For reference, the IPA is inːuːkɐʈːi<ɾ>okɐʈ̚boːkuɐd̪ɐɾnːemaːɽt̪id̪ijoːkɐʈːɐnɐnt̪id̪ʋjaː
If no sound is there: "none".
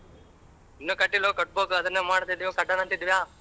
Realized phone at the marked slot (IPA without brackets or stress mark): l